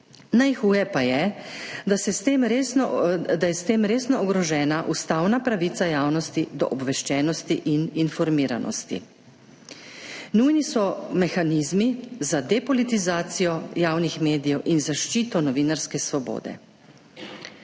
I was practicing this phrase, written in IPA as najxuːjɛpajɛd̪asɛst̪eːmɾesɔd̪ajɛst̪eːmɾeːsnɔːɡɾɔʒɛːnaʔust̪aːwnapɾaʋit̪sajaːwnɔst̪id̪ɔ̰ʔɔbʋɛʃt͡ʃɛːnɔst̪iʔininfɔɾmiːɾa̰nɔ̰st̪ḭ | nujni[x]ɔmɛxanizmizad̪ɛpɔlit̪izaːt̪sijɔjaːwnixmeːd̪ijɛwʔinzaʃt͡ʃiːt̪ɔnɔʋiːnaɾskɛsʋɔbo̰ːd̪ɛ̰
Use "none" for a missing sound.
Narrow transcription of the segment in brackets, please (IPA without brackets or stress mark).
s